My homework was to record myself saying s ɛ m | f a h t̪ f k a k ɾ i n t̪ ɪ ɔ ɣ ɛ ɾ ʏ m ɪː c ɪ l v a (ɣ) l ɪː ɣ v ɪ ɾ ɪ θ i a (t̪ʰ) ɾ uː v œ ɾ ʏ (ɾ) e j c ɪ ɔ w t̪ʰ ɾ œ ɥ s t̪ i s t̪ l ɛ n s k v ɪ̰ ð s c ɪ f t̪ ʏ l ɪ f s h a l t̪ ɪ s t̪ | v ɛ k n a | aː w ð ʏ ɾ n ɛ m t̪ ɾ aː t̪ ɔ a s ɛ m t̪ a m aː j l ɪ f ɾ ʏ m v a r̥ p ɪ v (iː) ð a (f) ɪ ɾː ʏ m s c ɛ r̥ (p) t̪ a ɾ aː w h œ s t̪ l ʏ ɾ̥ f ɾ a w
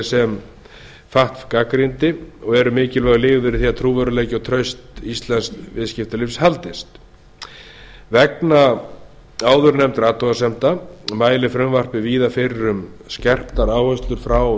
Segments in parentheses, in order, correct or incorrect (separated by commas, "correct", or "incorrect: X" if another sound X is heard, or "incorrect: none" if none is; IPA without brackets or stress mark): correct, correct, incorrect: l, correct, correct, correct